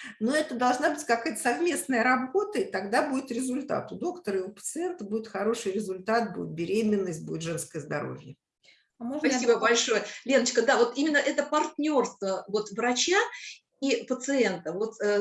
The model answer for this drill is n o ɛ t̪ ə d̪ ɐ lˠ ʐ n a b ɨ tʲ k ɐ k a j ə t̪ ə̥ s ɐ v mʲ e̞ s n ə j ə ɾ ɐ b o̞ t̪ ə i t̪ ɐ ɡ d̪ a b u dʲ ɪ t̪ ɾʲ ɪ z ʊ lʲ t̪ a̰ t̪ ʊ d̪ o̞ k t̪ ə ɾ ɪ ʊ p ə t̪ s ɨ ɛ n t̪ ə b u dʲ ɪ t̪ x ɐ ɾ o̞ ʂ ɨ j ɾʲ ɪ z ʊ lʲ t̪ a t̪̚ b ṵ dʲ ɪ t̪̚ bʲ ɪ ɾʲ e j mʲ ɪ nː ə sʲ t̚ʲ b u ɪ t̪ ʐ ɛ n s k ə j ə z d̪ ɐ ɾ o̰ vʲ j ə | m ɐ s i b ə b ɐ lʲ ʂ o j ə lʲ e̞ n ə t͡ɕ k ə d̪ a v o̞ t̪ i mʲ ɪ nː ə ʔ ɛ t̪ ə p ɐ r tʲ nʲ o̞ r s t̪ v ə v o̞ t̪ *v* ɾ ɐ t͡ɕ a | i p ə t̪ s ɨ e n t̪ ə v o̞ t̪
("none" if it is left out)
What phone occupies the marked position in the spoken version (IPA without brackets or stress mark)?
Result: v